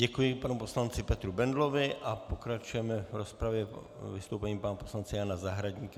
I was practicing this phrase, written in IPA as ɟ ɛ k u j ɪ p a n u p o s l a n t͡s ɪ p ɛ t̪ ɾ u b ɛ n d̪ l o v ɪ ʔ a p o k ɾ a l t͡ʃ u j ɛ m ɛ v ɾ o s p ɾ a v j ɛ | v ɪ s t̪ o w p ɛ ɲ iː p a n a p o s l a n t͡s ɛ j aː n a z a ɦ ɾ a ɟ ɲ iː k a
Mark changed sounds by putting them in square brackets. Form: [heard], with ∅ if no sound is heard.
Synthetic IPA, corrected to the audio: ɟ ɛ k u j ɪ p a n u p o s l a n t͡s ɪ p ɛ t̪ ɾ u b ɛ n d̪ l o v ɪ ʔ a p o k ɾ a [∅] t͡ʃ u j ɛ m ɛ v ɾ o s p ɾ a v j ɛ | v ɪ s t̪ o w p ɛ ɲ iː p a n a p o s l a n t͡s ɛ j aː n a z a ɦ ɾ a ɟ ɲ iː k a